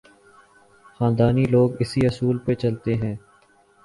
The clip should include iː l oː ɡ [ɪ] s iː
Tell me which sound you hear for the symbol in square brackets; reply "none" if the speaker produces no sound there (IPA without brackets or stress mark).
ɪ